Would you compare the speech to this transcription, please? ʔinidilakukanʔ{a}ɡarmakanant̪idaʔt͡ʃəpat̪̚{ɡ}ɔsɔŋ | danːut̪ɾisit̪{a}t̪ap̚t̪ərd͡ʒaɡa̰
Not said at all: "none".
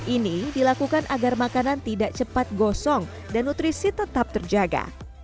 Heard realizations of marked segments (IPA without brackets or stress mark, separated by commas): a, ɡ, ə